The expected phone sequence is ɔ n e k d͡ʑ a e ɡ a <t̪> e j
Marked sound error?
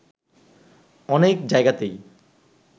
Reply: no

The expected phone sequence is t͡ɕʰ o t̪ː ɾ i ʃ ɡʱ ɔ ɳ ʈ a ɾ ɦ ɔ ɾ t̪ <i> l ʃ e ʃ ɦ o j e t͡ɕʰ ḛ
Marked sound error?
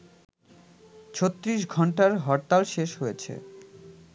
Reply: yes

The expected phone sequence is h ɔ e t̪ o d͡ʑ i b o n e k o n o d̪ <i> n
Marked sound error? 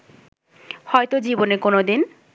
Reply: no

